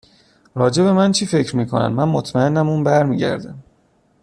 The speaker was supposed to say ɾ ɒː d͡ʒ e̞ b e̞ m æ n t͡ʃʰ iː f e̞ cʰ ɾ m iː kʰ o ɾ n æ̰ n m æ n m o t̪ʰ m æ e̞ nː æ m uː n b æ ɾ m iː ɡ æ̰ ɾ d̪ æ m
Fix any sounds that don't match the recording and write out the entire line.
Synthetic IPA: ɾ ɒː d͡ʒ e̞ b e̞ m æ n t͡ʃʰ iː f e̞ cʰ ɾ m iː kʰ o n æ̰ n m æ n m o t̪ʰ m æ e̞ nː æ m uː n b æ ɾ m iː ɟ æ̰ ɾ d̪ æ m